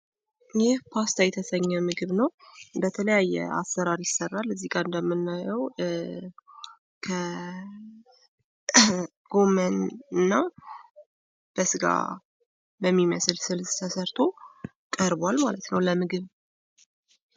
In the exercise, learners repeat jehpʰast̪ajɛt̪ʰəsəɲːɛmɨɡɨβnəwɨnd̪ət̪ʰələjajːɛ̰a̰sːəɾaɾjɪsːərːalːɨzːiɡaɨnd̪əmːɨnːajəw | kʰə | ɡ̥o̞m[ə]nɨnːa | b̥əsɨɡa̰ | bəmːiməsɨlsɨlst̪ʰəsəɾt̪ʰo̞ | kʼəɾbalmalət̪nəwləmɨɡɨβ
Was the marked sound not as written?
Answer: no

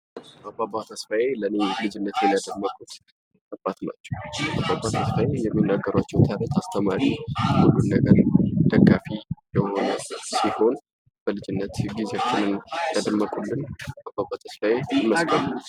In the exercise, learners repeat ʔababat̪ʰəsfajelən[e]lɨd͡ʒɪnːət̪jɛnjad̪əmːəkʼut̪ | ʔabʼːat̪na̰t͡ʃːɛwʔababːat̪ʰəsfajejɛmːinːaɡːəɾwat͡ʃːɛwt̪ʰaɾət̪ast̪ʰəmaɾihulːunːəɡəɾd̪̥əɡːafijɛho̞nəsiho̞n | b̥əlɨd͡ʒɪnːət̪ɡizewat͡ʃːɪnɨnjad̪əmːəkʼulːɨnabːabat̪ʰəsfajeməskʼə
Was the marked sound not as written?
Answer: no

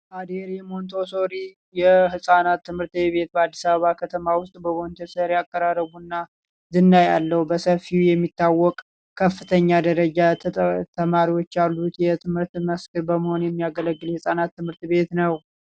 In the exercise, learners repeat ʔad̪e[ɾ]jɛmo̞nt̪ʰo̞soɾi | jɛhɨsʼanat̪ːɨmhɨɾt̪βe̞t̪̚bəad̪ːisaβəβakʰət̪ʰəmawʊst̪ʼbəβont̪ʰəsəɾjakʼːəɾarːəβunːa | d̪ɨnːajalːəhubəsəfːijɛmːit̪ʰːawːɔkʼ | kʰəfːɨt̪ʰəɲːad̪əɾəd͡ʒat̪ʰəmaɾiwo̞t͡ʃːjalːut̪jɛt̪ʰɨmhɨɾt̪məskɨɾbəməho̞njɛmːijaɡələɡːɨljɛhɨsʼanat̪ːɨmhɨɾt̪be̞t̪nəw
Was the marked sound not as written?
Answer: no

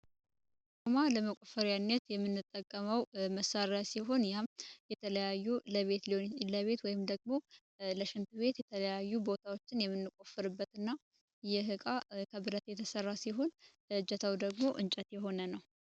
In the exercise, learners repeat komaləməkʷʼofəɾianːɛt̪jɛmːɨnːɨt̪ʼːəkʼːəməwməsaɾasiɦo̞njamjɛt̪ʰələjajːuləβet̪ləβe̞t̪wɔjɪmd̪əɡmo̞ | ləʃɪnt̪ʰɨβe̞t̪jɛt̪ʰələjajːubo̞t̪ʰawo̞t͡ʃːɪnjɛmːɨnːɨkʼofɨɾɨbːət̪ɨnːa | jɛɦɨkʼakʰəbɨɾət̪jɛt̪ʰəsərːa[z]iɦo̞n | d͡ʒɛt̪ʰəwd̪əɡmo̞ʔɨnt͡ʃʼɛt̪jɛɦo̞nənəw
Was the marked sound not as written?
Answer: yes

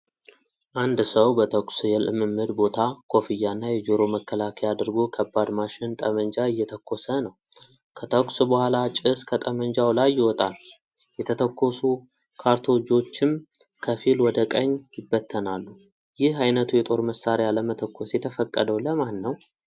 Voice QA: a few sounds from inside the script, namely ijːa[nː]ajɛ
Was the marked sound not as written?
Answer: no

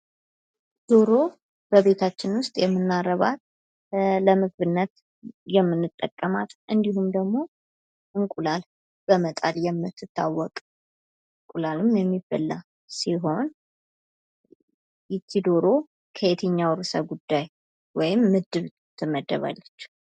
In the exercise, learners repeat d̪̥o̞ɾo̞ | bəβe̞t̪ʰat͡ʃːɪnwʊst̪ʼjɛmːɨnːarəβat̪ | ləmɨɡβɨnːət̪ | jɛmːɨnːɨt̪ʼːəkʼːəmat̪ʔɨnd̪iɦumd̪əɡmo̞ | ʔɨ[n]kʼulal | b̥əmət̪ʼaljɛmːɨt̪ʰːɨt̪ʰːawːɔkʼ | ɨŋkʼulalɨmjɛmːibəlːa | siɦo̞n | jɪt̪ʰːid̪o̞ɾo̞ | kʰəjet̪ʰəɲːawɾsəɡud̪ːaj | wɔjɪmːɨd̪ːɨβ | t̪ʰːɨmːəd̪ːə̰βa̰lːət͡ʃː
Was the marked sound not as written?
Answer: yes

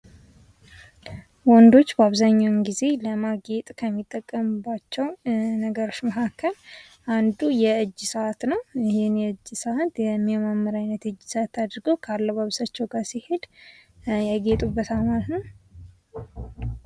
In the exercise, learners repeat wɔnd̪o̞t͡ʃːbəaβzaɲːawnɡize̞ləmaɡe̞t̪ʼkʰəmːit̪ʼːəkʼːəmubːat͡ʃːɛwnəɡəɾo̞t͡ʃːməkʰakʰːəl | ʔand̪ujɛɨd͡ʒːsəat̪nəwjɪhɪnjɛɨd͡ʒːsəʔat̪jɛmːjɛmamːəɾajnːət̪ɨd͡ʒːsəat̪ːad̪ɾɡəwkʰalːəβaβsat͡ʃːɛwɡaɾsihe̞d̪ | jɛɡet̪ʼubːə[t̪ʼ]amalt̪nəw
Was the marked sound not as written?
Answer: yes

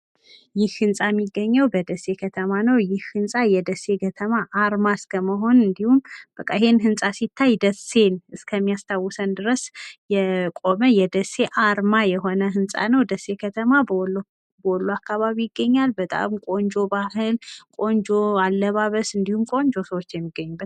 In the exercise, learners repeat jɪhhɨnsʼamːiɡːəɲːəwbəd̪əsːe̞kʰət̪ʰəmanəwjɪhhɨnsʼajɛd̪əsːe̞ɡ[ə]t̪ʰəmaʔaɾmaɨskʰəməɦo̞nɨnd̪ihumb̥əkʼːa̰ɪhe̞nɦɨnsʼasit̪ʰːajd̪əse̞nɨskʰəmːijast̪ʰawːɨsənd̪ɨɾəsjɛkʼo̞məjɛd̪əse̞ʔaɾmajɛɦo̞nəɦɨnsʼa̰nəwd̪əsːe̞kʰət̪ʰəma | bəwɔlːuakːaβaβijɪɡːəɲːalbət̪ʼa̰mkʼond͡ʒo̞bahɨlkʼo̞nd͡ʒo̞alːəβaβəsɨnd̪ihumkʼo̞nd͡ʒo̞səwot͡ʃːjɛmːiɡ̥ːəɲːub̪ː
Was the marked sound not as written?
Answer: no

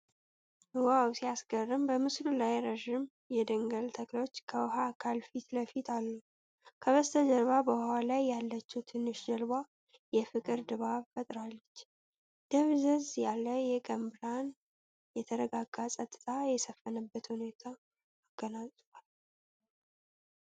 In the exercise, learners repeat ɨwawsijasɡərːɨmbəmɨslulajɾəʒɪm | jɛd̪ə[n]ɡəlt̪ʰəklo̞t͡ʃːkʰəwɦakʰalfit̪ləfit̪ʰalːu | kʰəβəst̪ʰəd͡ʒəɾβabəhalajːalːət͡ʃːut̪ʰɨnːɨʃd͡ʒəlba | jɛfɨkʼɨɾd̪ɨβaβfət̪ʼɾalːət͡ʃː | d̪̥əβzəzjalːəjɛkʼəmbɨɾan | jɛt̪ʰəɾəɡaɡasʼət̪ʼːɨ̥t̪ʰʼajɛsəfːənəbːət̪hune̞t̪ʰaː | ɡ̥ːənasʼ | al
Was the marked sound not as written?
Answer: yes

